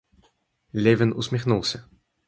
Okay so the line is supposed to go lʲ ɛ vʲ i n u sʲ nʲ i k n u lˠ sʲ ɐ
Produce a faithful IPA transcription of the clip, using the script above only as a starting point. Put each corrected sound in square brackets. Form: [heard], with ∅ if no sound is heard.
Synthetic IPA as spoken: lʲ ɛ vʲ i n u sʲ [mʲ] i [x] n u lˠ sʲ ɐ